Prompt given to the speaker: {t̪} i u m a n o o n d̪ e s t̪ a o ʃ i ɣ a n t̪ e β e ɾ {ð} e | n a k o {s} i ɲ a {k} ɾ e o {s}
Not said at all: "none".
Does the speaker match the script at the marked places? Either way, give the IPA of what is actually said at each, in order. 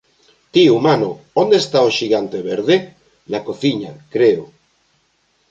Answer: t̪, ð, θ, k, none

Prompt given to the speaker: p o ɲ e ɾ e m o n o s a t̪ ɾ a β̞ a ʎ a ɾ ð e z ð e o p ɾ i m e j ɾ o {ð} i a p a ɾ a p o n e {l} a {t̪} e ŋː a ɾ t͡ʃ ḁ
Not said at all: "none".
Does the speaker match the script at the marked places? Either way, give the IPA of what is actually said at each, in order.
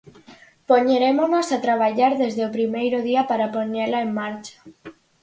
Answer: ð, l, none

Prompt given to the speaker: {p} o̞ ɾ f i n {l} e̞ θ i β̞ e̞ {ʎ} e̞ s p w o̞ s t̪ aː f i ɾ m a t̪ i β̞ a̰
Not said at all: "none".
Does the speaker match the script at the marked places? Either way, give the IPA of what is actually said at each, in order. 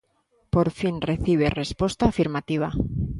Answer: p, r, r

